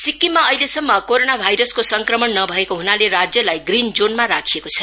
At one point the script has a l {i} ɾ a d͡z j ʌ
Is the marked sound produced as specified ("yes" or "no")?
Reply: no